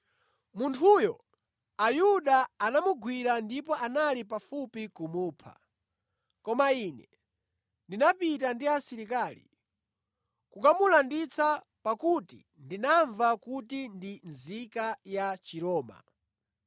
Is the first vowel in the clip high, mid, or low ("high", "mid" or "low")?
high